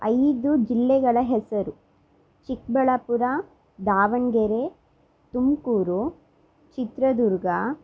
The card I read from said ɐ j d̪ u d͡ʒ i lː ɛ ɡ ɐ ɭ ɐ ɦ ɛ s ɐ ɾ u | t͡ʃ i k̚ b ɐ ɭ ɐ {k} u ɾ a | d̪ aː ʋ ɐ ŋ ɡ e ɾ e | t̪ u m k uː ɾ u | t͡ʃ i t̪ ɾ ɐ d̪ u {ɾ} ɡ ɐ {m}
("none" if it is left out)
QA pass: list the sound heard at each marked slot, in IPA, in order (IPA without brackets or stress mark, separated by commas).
p, ɾ, none